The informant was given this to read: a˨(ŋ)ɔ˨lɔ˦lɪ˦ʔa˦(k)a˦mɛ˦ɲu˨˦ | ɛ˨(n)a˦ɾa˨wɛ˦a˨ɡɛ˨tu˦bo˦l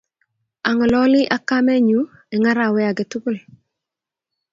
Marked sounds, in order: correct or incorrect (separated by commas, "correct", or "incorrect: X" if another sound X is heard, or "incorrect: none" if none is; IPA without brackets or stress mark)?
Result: correct, correct, incorrect: ŋ